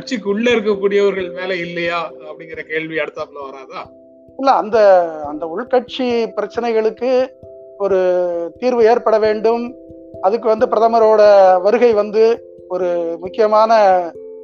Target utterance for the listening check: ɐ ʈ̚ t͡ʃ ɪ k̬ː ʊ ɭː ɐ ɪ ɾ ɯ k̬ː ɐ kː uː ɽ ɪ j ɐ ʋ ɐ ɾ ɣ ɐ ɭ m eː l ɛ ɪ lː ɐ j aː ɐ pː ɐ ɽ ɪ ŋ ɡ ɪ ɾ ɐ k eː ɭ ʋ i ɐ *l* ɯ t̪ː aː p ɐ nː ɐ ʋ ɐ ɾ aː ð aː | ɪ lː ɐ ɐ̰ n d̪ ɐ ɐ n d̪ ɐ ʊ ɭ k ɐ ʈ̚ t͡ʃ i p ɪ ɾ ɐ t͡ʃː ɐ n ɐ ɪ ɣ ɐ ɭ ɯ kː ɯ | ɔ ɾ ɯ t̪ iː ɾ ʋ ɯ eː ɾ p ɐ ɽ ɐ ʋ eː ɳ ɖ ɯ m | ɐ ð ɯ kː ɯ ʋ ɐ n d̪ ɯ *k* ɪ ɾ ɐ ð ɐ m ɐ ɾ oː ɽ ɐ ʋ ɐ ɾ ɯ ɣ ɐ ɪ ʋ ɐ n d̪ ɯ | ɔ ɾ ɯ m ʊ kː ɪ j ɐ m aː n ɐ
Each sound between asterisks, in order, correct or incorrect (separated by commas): incorrect, incorrect